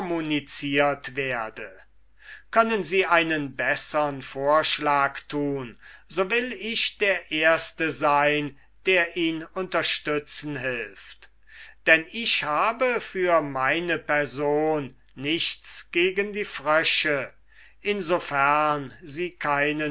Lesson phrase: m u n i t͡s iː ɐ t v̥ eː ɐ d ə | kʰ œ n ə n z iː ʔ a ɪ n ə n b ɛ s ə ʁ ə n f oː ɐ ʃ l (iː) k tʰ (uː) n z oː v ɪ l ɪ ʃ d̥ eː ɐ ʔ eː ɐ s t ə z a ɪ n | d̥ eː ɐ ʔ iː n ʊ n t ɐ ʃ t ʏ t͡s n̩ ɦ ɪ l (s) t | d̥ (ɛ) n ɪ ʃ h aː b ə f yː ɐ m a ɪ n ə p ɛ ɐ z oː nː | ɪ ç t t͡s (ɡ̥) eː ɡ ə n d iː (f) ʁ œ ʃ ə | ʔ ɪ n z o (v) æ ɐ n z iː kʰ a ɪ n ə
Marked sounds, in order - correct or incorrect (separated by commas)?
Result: incorrect, correct, incorrect, correct, correct, correct, incorrect